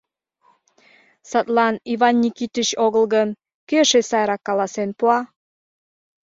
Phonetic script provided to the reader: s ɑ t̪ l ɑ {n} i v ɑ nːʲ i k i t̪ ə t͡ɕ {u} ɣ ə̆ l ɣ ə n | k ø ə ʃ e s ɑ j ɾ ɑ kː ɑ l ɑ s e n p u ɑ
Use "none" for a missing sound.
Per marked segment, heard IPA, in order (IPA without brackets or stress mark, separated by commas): n, o